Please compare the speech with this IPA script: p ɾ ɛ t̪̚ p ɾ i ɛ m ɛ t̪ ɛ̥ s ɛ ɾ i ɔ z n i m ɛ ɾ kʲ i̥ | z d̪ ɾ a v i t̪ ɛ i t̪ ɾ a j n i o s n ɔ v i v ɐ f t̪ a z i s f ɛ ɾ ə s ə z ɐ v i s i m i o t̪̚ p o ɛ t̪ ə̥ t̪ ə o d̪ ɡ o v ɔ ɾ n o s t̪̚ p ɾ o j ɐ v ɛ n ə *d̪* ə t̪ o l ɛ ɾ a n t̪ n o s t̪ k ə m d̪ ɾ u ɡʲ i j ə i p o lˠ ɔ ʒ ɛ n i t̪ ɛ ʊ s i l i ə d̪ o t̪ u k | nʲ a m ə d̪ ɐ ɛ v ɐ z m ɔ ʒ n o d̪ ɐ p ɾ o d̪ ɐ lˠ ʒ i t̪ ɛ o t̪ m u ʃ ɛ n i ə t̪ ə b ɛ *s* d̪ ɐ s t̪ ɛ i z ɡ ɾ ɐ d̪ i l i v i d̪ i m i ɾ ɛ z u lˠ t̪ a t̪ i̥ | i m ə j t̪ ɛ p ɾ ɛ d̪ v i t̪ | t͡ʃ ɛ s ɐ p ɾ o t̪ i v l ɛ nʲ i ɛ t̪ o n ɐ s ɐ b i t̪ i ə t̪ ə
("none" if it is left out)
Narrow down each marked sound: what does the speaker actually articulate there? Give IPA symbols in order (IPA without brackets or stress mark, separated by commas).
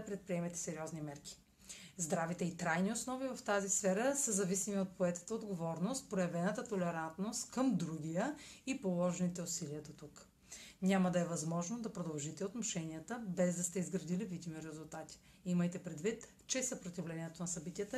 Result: t̪, z